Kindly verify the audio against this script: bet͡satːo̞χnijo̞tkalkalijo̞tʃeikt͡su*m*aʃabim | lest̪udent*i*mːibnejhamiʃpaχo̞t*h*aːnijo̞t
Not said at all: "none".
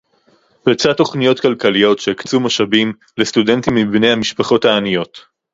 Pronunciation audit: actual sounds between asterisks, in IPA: m, i, h

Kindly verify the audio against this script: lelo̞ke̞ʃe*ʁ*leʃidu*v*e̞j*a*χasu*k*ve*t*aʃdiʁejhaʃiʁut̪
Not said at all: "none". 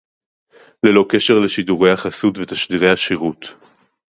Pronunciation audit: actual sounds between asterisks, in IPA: ʁ, ʁ, a, t, t

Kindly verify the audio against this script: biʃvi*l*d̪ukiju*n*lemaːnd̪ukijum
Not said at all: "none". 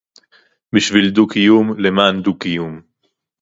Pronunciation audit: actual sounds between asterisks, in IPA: l, m

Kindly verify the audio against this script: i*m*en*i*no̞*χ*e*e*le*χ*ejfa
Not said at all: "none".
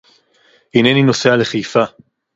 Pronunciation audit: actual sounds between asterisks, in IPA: n, i, s, a, χ

